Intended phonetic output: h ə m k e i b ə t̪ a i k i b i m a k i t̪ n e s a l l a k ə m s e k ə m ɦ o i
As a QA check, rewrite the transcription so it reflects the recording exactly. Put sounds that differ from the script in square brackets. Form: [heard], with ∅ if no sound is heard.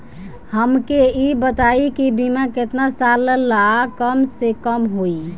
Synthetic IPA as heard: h ə m k e i b ə t̪ a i k i b i m a k [e] t̪ n [a] s a l l a k ə m s e k ə m ɦ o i